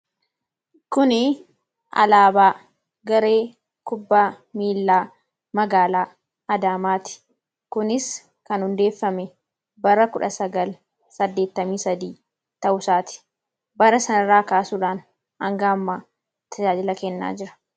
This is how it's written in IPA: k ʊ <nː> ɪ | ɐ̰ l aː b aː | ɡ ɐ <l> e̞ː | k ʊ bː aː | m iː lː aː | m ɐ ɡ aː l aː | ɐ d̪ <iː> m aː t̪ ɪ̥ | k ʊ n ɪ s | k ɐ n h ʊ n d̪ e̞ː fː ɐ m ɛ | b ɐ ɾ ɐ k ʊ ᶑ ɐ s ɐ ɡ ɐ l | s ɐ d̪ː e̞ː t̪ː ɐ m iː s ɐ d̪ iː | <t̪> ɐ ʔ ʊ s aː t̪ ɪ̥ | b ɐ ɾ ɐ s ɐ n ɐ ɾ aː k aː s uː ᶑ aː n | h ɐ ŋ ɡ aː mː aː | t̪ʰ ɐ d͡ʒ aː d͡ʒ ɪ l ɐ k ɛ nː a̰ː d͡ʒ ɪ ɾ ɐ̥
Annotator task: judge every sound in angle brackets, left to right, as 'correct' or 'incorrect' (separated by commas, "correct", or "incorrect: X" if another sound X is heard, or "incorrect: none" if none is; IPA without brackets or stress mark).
incorrect: n, incorrect: ɾ, incorrect: aː, correct